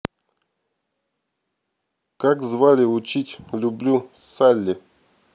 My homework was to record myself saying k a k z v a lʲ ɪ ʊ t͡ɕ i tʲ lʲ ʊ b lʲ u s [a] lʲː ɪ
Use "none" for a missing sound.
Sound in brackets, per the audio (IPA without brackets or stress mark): a